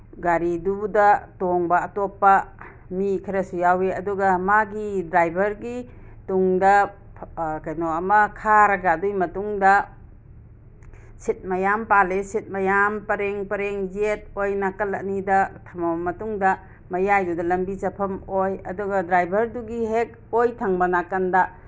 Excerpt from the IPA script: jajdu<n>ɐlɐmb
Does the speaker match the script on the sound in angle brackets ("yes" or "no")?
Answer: no